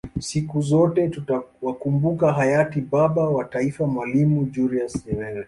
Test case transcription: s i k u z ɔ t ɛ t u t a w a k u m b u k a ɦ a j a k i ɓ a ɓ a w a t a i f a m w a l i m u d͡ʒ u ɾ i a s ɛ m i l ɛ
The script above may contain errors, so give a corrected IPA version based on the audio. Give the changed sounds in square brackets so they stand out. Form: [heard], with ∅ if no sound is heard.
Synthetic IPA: s i k u z ɔ t ɛ t u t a w a k u m b u k a ɦ a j a [t] i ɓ a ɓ a w a t a i f a m w a l i m u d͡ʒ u ɾ i a s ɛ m [ɛ] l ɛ